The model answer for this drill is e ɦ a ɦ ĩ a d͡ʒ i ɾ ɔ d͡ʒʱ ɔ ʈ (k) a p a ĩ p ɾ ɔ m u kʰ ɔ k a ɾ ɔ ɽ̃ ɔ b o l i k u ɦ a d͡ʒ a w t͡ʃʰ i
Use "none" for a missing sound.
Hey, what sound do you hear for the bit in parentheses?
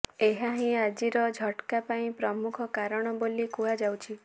k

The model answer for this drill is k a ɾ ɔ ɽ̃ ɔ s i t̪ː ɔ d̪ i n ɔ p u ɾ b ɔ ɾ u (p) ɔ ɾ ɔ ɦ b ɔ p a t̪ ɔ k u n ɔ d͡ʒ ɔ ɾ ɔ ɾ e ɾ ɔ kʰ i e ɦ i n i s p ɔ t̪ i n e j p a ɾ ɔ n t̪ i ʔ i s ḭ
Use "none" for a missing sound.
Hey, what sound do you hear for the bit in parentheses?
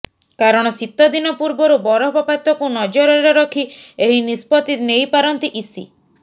b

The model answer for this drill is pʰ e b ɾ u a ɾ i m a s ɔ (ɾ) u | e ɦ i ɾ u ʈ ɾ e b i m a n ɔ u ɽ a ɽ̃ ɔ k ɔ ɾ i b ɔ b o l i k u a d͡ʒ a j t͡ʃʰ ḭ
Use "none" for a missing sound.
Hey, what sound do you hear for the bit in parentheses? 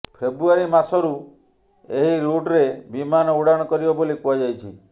ɾ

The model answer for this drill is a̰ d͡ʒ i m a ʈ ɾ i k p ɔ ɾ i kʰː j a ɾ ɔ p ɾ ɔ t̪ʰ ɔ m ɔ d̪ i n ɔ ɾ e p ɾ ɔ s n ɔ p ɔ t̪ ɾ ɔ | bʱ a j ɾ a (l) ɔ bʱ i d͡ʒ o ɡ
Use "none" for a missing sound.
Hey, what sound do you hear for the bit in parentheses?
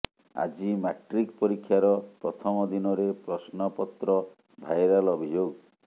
l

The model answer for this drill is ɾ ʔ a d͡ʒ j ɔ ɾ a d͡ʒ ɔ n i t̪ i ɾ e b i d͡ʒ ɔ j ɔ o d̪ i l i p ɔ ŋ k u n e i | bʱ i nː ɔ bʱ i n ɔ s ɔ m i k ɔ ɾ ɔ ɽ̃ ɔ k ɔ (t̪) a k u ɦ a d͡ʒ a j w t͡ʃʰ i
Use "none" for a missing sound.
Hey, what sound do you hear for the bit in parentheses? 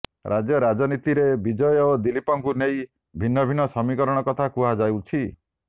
t̪ʰ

